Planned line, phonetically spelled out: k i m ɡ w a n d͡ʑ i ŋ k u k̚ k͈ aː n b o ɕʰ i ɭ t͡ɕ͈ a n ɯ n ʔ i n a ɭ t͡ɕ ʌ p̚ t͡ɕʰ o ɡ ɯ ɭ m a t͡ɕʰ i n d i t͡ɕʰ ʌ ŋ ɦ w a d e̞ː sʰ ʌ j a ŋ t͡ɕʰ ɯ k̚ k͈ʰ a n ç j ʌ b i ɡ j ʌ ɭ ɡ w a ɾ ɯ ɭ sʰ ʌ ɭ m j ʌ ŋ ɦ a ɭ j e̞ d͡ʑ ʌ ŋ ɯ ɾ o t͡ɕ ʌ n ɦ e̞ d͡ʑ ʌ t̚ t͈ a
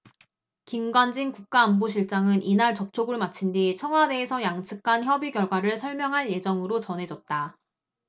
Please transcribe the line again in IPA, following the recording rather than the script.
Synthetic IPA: k i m ɡ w a n d͡ʑ i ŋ k u k̚ k͈ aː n b o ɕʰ i ɭ t͡ɕ͈ a ŋ ɯ n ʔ i n a ɭ t͡ɕ ʌ p̚ t͡ɕʰ o ɡ ɯ ɭ m a t͡ɕʰ i n d i t͡ɕʰ ʌ ŋ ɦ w a d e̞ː sʰ ʌ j a ŋ t͡ɕʰ ɯ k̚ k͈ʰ a n ç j ʌ b i ɡ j ʌ ɭ ɡ w a ɾ ɯ ɭ sʰ ʌ ɭ m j ʌ ŋ ɦ a ɭ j e̞ d͡ʑ ʌ ŋ ɯ ɾ o t͡ɕ ʌ n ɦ e̞ d͡ʑ ʌ t̚ t͈ a